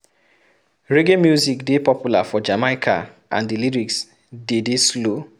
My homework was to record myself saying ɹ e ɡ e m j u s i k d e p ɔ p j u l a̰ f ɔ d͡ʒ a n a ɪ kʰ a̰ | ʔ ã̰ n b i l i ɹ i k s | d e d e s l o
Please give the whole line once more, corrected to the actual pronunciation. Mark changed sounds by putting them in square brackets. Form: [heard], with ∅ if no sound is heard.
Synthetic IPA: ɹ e ɡ e m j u [z] i k d e p ɔ p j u l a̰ f ɔ d͡ʒ a [m] a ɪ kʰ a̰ | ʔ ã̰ n [d] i l i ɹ i k s | d e d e s l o

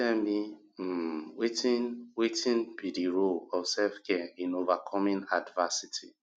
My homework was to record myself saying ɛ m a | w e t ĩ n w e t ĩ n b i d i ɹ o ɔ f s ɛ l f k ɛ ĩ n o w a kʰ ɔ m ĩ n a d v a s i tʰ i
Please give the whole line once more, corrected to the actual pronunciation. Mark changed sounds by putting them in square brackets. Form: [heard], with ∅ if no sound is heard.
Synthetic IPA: ɛ m [i] | w e t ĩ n w e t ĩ n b i d i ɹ o ɔ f s ɛ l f k ɛ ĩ n o [v] a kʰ ɔ m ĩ n a d v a s i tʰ i

